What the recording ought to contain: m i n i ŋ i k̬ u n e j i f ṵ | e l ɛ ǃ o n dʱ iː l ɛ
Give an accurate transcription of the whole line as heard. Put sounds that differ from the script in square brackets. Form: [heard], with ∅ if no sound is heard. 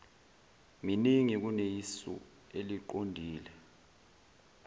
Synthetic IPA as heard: m i n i ŋ i k̬ u n e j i [s] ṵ | e l [i] ǃ o n dʱ iː l ɛ